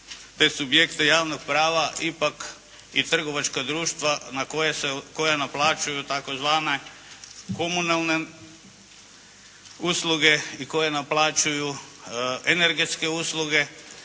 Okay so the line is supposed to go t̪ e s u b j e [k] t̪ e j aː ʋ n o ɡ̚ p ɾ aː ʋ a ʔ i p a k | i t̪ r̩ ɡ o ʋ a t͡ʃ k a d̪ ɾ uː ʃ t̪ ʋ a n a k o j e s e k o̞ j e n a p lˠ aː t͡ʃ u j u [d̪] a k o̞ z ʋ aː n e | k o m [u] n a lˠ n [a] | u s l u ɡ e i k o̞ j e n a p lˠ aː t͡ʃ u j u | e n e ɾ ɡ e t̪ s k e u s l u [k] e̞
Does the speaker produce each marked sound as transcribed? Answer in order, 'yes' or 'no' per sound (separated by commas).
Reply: yes, no, yes, no, no